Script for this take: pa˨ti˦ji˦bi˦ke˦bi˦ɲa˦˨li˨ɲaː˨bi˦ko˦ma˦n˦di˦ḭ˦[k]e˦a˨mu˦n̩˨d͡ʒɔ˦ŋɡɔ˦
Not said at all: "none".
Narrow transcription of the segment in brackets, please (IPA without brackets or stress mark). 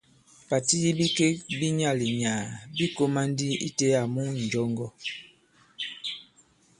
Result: t